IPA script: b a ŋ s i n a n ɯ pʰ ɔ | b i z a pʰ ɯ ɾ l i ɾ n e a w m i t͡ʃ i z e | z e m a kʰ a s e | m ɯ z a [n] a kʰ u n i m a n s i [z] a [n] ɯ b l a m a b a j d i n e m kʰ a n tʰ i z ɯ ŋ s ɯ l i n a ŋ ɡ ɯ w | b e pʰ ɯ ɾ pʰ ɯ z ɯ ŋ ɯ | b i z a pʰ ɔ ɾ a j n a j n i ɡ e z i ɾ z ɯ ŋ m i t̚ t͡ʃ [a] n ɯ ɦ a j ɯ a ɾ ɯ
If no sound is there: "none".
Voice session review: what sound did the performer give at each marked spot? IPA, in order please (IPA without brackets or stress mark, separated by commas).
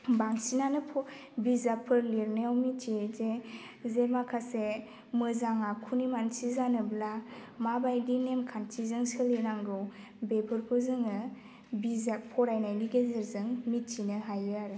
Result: ŋ, z, n, i